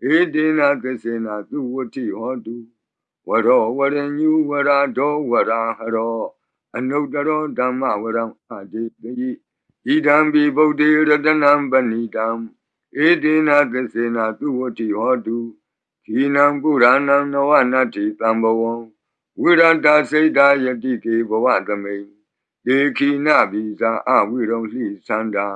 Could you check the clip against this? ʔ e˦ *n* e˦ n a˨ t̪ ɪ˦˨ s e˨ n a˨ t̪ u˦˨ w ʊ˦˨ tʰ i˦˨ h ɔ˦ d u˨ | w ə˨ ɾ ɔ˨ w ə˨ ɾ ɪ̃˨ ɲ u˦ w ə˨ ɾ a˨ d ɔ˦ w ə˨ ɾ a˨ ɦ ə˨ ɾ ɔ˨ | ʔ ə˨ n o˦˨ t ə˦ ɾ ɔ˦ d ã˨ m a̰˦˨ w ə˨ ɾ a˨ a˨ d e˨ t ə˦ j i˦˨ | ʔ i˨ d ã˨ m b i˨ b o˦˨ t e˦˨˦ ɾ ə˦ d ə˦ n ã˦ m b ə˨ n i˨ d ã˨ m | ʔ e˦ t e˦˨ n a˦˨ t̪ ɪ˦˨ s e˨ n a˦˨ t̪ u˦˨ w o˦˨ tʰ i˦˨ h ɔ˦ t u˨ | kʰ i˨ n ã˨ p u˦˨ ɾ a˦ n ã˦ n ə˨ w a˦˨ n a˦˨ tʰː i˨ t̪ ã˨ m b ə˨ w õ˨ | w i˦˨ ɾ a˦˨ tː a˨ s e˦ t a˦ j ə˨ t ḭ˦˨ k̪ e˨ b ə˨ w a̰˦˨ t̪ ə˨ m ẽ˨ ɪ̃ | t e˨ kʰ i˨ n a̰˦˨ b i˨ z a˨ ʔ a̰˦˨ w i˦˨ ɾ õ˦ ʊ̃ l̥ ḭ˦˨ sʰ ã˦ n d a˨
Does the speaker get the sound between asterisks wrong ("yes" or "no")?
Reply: yes